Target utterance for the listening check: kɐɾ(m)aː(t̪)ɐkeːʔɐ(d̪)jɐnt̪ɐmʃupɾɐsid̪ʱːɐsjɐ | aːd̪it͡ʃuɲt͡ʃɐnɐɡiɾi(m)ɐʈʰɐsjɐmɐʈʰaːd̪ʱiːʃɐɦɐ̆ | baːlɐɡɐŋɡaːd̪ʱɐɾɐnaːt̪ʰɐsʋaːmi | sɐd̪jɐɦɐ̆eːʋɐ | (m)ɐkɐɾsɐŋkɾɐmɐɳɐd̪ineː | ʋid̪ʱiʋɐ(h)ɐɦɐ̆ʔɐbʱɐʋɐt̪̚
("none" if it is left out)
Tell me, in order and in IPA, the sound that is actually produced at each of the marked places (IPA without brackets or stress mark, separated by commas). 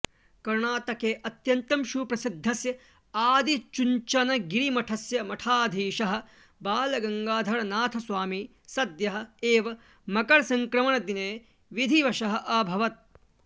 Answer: ɳ, t̪, t̪, m, m, ʃ